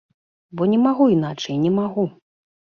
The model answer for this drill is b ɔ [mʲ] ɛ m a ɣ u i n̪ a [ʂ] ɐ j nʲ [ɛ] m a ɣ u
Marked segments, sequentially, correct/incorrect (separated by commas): incorrect, incorrect, correct